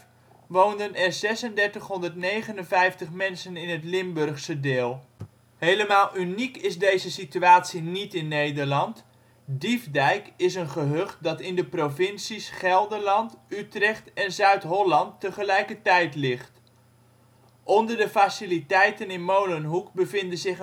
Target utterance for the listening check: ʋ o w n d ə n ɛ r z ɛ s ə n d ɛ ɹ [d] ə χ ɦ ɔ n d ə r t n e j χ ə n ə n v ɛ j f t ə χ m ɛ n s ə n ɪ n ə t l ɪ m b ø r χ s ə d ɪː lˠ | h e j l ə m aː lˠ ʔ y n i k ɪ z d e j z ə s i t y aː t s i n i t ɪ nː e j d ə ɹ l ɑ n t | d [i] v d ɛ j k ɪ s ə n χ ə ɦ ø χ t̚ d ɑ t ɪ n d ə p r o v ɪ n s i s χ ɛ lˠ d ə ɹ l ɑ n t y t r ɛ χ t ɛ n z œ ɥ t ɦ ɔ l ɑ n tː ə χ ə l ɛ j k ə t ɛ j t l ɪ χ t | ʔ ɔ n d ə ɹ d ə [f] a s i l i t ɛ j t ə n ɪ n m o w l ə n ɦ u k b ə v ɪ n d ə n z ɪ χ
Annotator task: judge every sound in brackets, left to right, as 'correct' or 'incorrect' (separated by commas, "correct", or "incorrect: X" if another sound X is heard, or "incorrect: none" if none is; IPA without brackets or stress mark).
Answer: incorrect: t, correct, correct